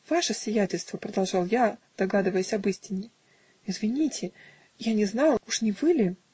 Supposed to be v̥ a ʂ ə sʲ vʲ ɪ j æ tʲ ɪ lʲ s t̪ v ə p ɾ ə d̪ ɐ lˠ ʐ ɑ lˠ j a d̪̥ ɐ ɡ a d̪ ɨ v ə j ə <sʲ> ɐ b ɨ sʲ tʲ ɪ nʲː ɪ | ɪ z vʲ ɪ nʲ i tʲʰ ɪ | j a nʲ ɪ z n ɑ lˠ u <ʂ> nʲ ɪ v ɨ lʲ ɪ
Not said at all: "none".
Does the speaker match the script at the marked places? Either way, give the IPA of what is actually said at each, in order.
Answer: sʲ, ʂ

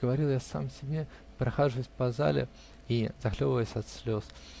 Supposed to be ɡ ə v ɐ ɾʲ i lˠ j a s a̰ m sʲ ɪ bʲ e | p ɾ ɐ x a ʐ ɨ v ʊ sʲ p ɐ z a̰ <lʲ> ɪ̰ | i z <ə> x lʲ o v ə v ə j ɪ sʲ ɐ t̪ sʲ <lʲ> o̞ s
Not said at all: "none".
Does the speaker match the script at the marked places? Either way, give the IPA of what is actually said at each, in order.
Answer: lʲ, ɐ, lʲ

